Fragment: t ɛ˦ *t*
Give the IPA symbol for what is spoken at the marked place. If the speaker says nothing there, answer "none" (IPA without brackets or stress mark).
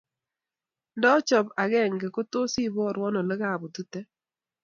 none